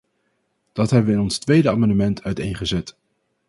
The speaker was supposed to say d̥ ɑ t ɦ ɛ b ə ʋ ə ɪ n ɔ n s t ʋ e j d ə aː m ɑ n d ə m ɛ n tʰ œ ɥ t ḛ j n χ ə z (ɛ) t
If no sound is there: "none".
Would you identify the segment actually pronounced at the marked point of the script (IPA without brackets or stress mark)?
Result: ɛ